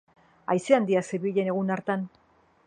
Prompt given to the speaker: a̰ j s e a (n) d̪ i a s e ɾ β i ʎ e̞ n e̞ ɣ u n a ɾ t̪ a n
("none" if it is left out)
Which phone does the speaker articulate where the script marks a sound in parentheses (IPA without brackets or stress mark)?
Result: n